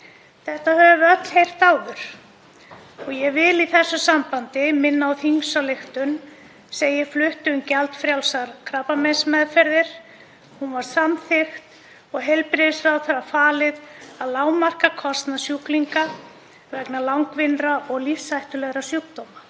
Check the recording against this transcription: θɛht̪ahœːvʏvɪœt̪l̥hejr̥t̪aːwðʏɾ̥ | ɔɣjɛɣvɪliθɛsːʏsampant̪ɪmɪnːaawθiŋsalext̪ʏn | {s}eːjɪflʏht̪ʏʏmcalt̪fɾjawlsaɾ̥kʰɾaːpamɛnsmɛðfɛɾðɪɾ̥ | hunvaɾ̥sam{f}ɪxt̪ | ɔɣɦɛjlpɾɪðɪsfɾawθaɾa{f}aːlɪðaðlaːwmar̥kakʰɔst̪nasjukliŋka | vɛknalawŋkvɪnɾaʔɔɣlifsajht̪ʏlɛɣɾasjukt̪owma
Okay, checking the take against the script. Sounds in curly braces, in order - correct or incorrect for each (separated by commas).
correct, incorrect, correct